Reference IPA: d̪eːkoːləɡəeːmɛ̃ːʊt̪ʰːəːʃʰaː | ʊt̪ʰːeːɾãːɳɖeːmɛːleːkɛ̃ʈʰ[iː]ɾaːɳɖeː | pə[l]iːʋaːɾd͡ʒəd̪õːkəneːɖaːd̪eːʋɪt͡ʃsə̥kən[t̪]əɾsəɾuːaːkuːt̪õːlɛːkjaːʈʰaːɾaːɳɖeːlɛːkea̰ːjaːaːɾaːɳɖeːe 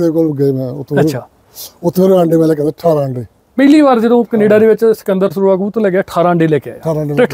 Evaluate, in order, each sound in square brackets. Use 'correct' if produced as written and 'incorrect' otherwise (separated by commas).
incorrect, correct, incorrect